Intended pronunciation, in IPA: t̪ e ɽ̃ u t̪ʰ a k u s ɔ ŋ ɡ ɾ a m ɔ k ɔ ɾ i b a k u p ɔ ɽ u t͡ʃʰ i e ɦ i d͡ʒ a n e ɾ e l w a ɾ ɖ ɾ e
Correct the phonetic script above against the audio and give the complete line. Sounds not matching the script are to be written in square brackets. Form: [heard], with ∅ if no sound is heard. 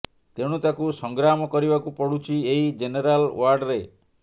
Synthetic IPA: t̪ e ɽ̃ u [t̪] a k u s ɔ ŋ ɡ ɾ a m ɔ k ɔ ɾ i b a k u p ɔ ɽ u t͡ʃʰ i e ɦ i d͡ʒ [e] n e ɾ [a] l w a ɾ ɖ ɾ e